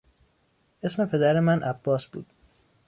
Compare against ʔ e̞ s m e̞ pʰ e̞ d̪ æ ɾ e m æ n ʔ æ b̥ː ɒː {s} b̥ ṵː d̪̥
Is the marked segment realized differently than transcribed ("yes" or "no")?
no